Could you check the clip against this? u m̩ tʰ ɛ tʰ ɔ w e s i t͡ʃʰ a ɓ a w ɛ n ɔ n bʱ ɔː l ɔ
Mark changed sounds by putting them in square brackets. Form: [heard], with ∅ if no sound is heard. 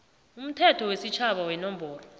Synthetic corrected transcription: u m̩ tʰ ɛ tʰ ɔ w e s i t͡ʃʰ a ɓ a w ɛ n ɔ [m] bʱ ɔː l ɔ